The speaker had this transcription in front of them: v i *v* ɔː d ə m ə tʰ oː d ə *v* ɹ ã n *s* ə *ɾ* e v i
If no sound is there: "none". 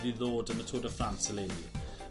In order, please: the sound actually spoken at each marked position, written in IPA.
ð, f, s, l

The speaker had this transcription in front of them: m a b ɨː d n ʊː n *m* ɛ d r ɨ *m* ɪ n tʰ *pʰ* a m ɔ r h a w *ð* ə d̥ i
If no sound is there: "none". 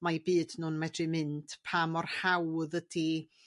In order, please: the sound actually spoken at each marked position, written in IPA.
m, m, pʰ, ð

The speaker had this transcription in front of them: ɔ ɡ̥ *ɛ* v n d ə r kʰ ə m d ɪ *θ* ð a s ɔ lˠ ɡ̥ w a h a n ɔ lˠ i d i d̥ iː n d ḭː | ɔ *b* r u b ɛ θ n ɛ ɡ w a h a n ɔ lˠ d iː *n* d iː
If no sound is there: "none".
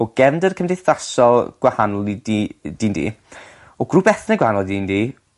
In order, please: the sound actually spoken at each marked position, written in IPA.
ɛ, θ, ɡ, n

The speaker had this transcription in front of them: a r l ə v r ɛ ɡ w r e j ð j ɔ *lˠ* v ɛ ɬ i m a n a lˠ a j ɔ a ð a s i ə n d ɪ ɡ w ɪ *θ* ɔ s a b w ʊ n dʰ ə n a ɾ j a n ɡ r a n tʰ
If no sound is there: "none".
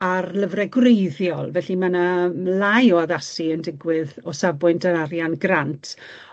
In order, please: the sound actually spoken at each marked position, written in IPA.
lˠ, ð

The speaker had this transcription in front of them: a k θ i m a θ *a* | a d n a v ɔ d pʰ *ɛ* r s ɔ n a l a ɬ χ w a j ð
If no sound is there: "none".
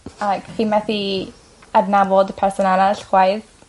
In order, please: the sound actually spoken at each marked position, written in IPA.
i, ɛ

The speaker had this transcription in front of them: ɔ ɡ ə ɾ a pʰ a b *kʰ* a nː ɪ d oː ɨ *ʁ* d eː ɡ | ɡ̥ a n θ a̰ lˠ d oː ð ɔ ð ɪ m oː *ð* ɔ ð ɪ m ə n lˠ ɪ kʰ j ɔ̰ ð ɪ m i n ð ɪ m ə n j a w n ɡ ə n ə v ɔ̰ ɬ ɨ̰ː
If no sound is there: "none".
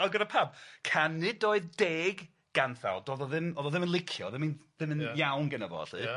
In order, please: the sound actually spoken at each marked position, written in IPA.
kʰ, ð, ð

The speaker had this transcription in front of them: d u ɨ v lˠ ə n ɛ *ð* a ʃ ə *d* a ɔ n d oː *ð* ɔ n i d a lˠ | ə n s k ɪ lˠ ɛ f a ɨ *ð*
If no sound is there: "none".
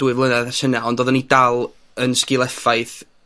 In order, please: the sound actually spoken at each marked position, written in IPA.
ð, n, ð, θ

